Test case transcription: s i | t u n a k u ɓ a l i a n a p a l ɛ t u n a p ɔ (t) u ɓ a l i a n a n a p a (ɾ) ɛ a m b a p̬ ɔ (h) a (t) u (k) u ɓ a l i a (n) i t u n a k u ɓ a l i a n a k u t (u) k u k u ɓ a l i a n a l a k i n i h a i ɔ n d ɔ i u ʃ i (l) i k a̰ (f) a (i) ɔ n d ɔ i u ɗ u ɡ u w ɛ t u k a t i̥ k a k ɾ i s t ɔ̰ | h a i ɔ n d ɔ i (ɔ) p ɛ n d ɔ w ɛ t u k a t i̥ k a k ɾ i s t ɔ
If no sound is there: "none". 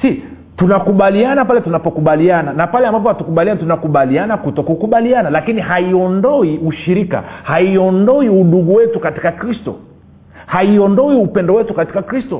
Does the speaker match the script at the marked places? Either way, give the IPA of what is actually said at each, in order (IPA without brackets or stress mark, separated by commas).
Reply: k, l, h, t, k, n, ɔ, ɾ, h, i, u